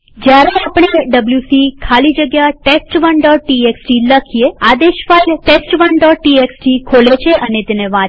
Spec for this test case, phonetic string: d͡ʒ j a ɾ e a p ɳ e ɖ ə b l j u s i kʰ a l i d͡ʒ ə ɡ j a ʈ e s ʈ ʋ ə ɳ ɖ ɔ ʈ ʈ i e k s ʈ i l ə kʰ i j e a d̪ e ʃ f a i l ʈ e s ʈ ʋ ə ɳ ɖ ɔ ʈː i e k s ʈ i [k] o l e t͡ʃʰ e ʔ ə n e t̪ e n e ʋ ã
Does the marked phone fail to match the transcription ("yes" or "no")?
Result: yes